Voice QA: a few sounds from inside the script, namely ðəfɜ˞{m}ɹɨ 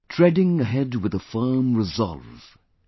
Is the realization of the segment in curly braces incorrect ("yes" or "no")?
no